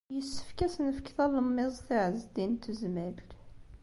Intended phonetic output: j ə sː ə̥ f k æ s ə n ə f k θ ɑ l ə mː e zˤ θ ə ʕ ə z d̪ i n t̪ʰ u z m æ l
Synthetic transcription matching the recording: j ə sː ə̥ f k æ s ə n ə f k θ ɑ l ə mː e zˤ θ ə ʕ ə z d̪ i n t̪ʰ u z m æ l